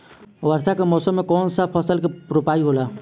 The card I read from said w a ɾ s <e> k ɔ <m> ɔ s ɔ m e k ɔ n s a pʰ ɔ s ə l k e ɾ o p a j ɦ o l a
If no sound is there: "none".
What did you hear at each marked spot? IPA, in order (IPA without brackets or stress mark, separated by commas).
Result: a, m